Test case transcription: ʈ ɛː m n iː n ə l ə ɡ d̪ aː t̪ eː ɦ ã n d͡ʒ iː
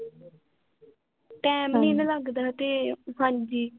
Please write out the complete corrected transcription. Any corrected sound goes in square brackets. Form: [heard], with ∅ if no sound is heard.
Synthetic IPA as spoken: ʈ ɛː m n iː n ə l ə ɡ d̪ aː t̪ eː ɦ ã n d͡ʒ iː